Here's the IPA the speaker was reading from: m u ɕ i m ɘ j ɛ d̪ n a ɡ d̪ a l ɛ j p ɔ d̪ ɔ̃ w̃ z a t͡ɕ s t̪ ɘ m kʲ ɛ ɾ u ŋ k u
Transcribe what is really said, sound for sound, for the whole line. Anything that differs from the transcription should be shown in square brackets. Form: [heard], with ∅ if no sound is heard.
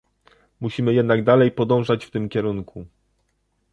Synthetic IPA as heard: m u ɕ i m ɘ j ɛ d̪ n a ɡ d̪ a l ɛ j p ɔ d̪ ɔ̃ w̃ [ʐ] a t͡ɕ [f] t̪ ɘ m kʲ ɛ ɾ u ŋ k u